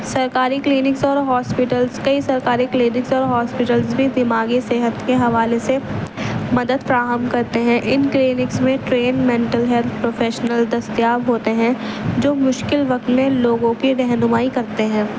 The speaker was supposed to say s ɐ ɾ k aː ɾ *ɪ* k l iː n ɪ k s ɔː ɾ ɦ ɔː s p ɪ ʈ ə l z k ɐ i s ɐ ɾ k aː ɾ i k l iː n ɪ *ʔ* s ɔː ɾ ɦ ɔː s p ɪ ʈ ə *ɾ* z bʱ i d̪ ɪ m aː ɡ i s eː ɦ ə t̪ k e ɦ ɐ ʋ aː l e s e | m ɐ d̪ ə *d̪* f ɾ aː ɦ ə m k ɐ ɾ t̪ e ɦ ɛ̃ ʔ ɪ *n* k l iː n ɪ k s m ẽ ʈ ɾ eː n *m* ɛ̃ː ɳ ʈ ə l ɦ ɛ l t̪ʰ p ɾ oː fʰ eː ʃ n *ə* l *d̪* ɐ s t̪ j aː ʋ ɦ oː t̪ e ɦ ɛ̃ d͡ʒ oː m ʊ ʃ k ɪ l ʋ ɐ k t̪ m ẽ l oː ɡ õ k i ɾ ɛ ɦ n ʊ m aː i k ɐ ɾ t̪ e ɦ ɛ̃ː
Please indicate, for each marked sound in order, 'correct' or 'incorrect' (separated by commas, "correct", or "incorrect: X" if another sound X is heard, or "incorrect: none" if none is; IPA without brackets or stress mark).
incorrect: i, incorrect: k, incorrect: l, correct, correct, correct, correct, correct